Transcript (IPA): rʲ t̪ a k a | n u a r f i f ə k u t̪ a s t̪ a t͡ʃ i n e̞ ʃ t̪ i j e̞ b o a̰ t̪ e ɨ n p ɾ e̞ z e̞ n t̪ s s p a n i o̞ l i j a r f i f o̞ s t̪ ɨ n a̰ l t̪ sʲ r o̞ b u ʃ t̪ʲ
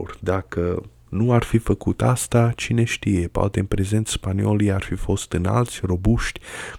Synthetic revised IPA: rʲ d̪ a k ə | n u a r f i f ə k u t̪ a s t̪ a t͡ʃ i n e̞ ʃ t̪ i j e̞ p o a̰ t̪ e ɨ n p ɾ e̞ z e̞ n t̪ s s p a n i o̞ l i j a r f i f o̞ s t̪ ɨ n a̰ l t̪ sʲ r o̞ b u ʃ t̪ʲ